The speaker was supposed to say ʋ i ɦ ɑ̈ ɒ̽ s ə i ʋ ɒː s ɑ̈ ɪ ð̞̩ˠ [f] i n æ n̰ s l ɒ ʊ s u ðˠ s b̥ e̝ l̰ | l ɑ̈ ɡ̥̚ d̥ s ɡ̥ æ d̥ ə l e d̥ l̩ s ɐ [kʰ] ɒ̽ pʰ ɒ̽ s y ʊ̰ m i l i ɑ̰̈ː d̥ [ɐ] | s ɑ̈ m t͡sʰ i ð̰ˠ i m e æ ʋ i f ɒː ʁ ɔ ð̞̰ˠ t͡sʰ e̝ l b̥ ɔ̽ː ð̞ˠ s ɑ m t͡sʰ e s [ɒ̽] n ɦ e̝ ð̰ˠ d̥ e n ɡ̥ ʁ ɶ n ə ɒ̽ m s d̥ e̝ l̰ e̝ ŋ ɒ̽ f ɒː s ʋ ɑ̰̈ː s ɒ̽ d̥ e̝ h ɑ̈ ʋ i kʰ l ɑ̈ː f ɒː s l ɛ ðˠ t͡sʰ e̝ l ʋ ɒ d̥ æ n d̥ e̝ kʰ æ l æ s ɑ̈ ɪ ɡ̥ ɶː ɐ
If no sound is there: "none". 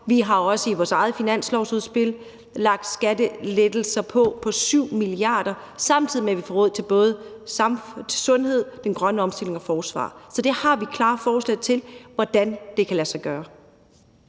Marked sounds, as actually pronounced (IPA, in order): f, pʰ, ɐ, ɔ̽

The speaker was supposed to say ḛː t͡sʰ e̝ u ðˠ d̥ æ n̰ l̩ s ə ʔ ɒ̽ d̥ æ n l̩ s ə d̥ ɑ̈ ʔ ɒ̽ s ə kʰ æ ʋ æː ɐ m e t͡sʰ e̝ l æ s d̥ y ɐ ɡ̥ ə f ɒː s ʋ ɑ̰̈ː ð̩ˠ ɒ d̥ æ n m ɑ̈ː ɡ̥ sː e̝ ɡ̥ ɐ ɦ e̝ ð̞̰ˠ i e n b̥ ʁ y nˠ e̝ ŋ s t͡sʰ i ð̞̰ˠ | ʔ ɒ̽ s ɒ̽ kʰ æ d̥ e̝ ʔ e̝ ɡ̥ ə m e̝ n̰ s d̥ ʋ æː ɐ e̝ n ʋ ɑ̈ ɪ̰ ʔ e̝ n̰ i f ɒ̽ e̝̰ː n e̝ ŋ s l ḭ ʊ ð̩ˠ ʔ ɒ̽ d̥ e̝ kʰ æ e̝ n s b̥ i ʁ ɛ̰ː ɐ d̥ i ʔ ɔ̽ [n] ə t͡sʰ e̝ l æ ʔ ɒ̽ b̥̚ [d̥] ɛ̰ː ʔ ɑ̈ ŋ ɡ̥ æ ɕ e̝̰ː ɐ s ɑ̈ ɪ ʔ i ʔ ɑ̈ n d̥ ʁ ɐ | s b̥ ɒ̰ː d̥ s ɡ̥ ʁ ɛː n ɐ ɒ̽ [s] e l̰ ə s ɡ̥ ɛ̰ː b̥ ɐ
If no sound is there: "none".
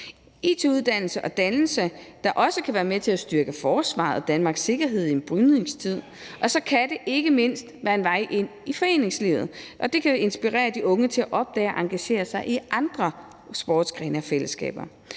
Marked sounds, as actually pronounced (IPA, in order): ŋ, d̥, f

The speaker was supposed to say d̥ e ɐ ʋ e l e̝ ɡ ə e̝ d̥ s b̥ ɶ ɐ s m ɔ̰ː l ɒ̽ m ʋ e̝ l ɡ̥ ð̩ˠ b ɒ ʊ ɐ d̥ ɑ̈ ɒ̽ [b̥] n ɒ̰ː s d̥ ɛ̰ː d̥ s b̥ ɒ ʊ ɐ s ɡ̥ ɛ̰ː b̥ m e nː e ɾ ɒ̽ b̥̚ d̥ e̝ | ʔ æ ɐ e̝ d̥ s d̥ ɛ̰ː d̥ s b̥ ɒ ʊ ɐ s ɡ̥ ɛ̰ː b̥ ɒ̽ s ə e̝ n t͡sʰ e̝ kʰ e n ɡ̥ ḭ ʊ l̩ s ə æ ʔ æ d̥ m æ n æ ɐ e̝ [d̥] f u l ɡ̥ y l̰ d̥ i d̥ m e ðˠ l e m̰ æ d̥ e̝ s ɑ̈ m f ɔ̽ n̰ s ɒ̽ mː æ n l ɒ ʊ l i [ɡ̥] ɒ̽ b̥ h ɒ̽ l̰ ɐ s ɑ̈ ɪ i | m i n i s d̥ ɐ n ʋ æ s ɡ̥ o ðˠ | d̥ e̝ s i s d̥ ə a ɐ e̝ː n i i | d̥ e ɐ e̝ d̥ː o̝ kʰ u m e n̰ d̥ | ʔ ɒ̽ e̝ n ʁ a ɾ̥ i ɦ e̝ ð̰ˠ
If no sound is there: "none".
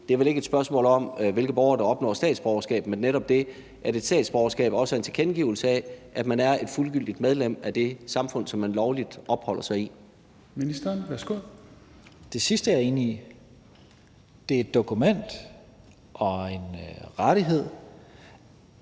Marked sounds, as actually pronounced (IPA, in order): b̥, d̥, d̥

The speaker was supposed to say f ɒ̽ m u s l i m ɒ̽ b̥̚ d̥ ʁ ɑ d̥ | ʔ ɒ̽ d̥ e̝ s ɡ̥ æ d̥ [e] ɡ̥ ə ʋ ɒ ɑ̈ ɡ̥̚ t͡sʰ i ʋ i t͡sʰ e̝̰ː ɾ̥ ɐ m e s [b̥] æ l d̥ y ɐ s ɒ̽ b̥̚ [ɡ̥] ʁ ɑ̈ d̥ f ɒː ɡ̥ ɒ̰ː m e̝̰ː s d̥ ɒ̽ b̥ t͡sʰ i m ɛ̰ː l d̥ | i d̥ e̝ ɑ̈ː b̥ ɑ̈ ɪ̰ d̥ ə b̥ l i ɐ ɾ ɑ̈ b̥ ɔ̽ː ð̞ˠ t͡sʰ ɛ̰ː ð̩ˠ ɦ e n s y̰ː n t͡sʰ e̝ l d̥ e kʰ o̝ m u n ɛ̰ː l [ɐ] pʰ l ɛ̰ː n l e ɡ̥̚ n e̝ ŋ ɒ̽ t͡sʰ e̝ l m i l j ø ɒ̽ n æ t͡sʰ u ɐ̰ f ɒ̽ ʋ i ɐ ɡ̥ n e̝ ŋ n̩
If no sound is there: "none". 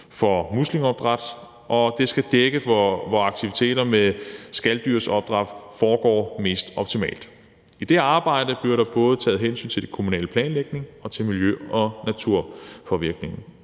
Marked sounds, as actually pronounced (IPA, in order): e, ɡ̥, d̥, ə

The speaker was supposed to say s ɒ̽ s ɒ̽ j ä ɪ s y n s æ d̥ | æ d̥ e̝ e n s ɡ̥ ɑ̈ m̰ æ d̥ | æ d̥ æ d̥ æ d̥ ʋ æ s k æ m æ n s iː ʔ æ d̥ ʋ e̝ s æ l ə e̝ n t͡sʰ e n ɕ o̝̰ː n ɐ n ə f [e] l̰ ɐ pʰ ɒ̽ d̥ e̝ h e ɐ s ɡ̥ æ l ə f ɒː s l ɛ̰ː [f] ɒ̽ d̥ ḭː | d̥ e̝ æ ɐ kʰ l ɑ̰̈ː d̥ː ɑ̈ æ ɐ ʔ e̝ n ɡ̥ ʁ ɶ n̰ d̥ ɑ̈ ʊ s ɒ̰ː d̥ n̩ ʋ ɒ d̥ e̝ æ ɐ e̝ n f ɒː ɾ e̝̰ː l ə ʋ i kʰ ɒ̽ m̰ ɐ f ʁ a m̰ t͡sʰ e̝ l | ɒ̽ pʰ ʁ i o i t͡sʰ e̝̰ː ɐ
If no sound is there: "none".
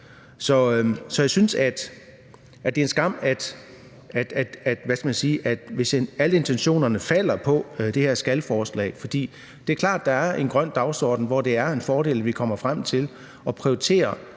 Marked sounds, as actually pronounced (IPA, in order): æ, f

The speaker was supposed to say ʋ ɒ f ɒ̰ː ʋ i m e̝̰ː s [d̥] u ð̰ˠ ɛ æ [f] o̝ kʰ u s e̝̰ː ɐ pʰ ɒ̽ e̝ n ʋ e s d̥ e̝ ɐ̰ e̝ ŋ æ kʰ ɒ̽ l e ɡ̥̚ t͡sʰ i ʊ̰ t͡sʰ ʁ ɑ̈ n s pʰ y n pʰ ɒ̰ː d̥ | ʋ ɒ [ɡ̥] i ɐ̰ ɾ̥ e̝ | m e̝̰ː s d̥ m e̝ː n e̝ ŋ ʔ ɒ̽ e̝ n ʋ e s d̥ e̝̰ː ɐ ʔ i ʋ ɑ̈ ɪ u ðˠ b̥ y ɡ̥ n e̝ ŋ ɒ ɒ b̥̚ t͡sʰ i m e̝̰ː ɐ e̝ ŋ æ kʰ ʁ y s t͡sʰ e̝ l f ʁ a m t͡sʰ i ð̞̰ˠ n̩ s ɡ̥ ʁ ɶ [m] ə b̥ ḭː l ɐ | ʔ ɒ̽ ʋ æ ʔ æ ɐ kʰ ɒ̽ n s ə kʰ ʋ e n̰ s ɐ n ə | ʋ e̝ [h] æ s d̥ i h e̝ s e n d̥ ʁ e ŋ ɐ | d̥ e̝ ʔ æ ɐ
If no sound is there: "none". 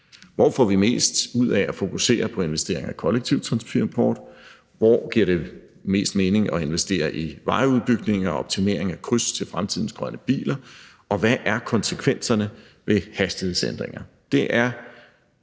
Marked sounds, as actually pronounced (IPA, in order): d̥, f, ɡ̥, n, h

